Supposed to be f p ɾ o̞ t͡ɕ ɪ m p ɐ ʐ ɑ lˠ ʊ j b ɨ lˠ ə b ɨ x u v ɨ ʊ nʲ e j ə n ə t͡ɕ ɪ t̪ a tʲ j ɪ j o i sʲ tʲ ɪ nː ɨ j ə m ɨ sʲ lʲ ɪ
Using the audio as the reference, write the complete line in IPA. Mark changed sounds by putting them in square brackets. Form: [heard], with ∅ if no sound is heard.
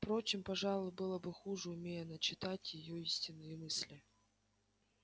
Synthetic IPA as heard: f p ɾ o̞ t͡ɕ ɪ m p ɐ ʐ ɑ lˠ ʊ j b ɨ lˠ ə b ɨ x u [ʐ] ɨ ʊ [mʲ] e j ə n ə t͡ɕ ɪ t̪ a tʲ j ɪ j o i sʲ tʲ ɪ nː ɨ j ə m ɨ sʲ lʲ ɪ

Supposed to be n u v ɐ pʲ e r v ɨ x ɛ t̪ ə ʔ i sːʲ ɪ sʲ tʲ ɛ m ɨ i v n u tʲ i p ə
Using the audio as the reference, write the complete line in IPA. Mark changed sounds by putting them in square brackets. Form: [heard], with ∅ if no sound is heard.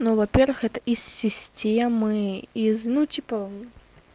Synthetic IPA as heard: n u v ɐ pʲ e r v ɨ x ɛ t̪ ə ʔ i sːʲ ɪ sʲ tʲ [e] m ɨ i [z] n u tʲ i p ə

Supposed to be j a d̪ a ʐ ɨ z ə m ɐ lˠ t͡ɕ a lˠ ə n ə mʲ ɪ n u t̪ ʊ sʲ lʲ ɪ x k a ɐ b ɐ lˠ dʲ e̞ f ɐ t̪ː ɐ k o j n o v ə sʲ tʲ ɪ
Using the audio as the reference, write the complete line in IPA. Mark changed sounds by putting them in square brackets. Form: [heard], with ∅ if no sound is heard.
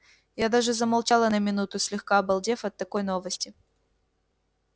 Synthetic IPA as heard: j a d̪ a ʐ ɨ z ə m ɐ lˠ t͡ɕ a lˠ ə n ə mʲ ɪ n u t̪ ʊ sʲ lʲ ɪ x k a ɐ b ɐ lˠ dʲ e̞ f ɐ t̪ː ɐ k o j n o v ə sʲ tʲ ɪ

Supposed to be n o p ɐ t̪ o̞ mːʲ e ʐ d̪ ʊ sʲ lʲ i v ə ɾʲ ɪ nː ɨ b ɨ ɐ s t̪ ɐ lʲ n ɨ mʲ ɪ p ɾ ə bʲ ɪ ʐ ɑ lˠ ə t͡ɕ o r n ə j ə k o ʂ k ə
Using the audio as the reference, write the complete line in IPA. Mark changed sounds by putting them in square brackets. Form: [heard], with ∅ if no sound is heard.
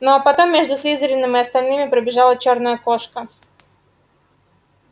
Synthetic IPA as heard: n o p ɐ t̪ o̞ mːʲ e ʐ d̪ ʊ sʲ lʲ i [z] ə ɾʲ ɪ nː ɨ [m] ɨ ɐ s t̪ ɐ lʲ n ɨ mʲ ɪ p ɾ ə bʲ ɪ ʐ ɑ lˠ ə t͡ɕ o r n ə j ə k o ʂ k ə

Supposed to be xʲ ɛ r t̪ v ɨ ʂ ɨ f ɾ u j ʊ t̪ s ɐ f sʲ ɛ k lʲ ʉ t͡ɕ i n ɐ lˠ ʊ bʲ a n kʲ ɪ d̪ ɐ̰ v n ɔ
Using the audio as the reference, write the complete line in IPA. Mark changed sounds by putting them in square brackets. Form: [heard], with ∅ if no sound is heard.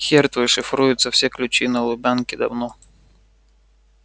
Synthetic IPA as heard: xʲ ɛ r t̪ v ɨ ʂ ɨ f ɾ u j ʊ t̪ s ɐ f sʲ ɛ k lʲ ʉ t͡ɕ i n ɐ lˠ ʊ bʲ a n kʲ ɪ d̪ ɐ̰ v n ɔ

